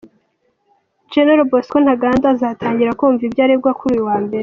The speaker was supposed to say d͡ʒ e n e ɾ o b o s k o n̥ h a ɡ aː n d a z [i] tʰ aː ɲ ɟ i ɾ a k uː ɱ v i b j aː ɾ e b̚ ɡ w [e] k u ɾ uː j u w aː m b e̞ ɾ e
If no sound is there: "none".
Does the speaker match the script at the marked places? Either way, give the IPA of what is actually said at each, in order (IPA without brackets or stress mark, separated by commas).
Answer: a, a